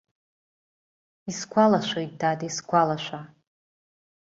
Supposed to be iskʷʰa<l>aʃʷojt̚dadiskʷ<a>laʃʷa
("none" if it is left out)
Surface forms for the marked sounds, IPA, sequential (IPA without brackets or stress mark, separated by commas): l, a